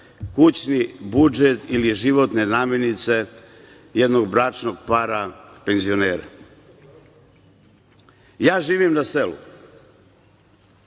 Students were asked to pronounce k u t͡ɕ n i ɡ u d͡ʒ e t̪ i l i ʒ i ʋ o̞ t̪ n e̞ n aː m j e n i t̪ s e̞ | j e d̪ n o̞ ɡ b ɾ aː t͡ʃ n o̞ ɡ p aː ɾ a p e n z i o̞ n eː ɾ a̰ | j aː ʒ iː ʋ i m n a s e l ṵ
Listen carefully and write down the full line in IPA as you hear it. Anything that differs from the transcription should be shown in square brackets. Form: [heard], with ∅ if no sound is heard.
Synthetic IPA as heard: k u t͡ɕ n i [b] u d͡ʒ e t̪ i l i ʒ i ʋ o̞ t̪ n e̞ n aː m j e n i t̪ s e̞ | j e d̪ n o̞ ɡ b ɾ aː t͡ʃ n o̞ ɡ p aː ɾ a p e n z i o̞ n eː ɾ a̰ | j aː ʒ iː ʋ i m n a s e l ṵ